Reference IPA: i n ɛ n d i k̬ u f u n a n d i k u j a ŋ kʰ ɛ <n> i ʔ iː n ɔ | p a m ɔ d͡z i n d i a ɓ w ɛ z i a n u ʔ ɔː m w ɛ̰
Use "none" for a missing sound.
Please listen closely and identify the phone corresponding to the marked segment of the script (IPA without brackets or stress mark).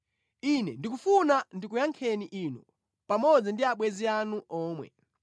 n